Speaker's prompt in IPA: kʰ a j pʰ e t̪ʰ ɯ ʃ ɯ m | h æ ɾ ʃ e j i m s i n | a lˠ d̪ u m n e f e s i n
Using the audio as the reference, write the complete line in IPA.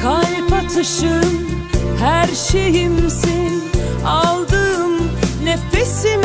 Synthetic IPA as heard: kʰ a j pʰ a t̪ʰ ɯ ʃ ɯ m | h æ ɾ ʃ e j i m s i n | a lˠ d̪ ɯ m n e f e s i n